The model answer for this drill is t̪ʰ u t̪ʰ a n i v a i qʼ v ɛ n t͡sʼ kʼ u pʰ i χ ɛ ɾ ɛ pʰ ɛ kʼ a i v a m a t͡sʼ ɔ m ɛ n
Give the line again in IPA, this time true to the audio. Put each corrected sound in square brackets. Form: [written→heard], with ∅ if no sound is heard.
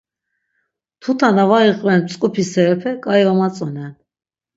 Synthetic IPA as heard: t̪ʰ u t̪ʰ a n [i→a] v a i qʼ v ɛ n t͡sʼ kʼ u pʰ i [χ→s] ɛ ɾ ɛ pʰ ɛ kʼ a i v a m a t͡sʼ ɔ [m→n] ɛ n